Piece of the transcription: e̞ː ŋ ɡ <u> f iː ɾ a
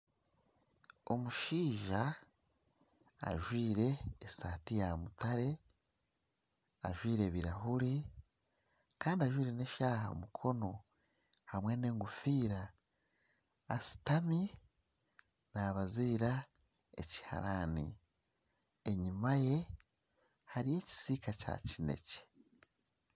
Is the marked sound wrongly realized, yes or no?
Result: no